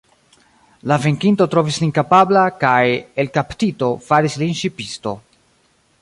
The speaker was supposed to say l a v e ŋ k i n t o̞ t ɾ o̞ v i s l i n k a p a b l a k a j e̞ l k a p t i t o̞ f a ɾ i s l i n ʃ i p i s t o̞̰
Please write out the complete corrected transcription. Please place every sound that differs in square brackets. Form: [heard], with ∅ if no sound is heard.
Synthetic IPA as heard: l a v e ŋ k i n t o̞ t ɾ o̞ v i s l i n k a p a b l a k a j e̞ l k a p t i t o̞ f a ɾ i s l i n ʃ i p i s t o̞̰